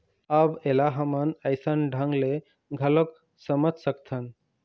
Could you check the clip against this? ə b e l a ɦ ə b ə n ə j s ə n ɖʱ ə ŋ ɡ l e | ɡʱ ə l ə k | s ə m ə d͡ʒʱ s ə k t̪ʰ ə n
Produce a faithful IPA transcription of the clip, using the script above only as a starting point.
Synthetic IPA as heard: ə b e l a ɦ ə m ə n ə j s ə n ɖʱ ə ŋ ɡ l e | ɡʱ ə l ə k | s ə m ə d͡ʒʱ s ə k t̪ʰ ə n